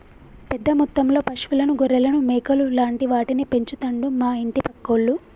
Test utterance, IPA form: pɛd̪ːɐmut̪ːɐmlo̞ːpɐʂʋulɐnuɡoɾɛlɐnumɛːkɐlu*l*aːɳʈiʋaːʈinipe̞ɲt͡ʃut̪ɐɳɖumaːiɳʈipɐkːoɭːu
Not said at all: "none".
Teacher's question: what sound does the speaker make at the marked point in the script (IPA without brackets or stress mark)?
l